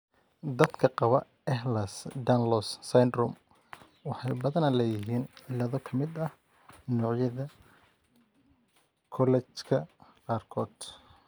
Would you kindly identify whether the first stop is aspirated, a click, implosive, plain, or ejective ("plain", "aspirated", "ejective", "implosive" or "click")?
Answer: plain